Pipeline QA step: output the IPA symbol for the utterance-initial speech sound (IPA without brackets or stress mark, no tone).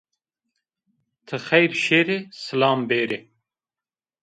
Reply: t̪ʰ